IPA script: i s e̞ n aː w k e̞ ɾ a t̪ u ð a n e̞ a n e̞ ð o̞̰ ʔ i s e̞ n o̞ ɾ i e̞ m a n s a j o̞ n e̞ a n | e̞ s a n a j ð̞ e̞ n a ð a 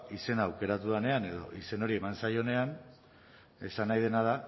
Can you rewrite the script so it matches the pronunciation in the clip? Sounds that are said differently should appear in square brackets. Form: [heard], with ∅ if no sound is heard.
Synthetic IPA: i s e̞ n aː w k e̞ ɾ a t̪ u ð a n e̞ a n e̞ ð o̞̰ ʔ i s e̞ n o̞ ɾ i e̞ m a n s a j o̞ n e̞ a n | e̞ s a n a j ð̞ e̞ n a ð a